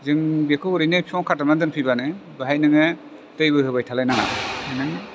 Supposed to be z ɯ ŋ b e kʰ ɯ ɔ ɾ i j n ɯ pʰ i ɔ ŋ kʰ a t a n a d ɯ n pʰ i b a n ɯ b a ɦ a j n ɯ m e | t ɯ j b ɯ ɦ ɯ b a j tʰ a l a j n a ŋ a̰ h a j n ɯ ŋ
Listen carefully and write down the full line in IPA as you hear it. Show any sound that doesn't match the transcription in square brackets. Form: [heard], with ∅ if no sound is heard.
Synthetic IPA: z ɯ ŋ b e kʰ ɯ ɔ ɾ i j n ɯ pʰ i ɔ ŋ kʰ a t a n a d ɯ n pʰ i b a n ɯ b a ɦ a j n ɯ [ŋ] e | t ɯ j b ɯ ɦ ɯ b a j tʰ a l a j n a ŋ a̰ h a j n ɯ ŋ